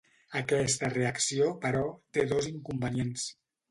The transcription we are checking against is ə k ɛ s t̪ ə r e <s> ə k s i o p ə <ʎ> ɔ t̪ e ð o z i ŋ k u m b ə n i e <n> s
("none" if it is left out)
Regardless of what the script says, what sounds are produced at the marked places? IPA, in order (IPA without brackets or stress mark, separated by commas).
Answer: none, ɾ, n